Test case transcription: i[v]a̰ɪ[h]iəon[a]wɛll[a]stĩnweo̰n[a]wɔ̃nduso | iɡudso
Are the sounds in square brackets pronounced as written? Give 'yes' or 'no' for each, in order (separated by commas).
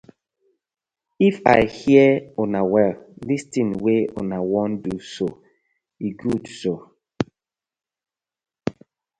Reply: no, yes, yes, no, yes